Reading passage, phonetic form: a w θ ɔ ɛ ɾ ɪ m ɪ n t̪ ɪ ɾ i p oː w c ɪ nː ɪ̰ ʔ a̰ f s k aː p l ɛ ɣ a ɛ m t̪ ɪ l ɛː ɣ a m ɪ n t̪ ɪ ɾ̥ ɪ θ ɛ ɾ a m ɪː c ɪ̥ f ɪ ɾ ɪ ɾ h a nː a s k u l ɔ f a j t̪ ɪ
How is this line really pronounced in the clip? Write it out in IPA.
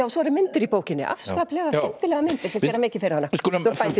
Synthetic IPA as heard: a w s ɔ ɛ ɾ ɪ m ɪ n t̪ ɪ ɾ i p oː w c ɪ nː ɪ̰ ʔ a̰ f s k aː p l ɛ ɣ a ɛ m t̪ ɪ l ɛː ɣ a m ɪ n t̪ ɪ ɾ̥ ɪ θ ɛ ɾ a m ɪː c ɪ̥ f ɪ ɾ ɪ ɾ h a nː a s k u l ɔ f a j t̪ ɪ